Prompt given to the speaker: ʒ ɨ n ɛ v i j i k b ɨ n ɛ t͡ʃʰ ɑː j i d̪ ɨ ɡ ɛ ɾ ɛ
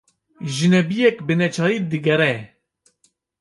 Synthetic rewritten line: ʒ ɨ n ɛ b i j ɛ k b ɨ n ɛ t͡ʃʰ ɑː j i d̪ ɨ ɡ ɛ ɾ ɛ